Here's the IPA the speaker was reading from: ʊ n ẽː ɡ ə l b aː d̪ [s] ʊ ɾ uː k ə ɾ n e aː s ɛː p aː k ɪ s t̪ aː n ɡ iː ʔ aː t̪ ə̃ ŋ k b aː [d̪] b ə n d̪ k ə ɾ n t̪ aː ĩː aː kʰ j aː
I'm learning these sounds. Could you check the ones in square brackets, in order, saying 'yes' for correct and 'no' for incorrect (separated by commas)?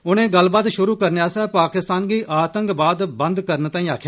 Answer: no, yes